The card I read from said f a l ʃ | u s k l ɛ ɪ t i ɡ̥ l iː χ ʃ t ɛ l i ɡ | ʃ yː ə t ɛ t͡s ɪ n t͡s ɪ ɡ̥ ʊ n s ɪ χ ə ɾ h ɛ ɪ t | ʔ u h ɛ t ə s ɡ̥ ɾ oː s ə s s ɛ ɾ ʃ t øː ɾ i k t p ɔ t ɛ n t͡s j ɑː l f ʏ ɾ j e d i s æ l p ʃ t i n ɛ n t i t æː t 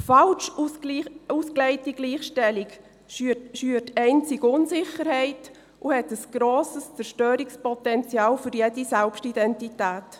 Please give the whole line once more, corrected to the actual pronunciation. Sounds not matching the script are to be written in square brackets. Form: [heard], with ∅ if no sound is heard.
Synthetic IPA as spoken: f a l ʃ | u s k l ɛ ɪ t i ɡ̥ l iː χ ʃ t ɛ l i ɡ | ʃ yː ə t ɛ [∅] ɪ n t͡s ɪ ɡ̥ ʊ n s ɪ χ ə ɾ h ɛ ɪ t | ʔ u h ɛ t ə s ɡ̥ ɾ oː s ə s [t͡s] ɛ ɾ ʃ t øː ɾ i k [s] p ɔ t ɛ n t͡s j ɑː l f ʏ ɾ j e d i s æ l p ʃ t i [d] ɛ n t i t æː t